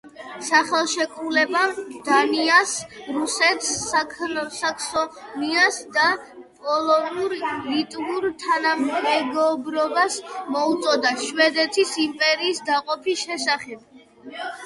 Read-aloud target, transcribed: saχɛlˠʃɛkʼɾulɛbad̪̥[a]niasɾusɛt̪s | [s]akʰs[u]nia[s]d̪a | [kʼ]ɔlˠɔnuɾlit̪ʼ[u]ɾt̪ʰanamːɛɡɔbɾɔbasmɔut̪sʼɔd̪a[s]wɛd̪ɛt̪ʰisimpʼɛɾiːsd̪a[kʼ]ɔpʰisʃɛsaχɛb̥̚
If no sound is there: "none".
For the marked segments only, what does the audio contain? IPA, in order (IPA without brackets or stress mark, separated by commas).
a, s, ɔ, s, pʼ, u, ʃ, qʼ